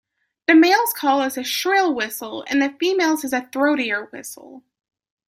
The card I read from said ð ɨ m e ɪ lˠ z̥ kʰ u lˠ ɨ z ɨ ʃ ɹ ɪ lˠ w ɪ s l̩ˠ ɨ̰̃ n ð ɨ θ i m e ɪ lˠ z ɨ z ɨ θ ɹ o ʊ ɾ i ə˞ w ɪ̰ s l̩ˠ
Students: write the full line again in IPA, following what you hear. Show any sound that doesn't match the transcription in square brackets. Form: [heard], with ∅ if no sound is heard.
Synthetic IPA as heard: ð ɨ m e ɪ lˠ z̥ kʰ [ɔ] lˠ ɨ z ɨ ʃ ɹ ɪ lˠ w ɪ s l̩ˠ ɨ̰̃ n ð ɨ [f] i m e ɪ lˠ z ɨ z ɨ θ ɹ o ʊ ɾ i ə˞ w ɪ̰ s l̩ˠ